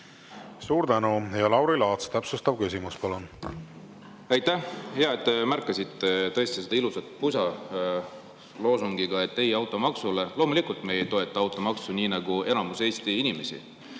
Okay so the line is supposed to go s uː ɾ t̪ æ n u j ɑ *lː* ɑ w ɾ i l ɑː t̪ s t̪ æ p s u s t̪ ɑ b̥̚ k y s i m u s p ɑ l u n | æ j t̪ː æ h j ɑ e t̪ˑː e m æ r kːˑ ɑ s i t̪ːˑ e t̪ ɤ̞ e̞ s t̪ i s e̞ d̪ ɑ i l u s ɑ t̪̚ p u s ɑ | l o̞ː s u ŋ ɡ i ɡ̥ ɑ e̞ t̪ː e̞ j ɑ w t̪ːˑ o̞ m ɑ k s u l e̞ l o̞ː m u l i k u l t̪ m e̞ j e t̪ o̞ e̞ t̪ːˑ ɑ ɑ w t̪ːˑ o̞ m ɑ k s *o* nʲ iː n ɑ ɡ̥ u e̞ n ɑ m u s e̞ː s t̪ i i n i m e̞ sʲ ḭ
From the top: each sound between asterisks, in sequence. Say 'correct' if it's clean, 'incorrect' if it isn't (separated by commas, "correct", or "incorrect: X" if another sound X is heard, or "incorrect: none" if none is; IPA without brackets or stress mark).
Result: incorrect: l, incorrect: u